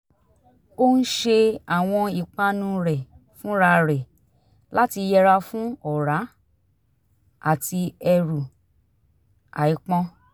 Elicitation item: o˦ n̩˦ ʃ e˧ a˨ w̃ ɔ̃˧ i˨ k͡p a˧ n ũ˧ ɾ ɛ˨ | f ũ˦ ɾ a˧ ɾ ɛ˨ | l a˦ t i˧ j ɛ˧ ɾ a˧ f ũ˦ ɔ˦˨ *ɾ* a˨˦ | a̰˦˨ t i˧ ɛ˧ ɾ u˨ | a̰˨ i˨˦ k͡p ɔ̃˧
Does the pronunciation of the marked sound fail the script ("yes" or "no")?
no